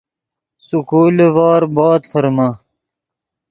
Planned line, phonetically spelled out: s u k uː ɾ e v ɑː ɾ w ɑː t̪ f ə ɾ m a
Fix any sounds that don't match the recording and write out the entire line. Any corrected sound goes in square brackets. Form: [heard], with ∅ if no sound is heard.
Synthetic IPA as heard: s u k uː [l] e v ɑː ɾ [b] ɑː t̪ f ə ɾ m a